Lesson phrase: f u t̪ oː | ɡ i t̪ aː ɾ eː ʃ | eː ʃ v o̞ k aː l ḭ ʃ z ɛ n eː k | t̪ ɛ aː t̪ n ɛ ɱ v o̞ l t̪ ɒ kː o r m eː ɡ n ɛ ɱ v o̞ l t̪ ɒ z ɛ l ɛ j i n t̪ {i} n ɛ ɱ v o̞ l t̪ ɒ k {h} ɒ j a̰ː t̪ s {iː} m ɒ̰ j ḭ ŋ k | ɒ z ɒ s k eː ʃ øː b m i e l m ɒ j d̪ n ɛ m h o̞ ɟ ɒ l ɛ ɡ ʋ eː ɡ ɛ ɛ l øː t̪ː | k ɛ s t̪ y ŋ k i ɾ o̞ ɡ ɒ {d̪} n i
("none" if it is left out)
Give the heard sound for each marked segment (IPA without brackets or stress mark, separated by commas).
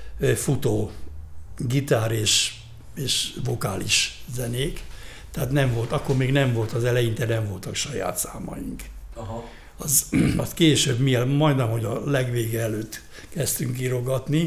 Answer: ɛ, ʃ, aː, t̪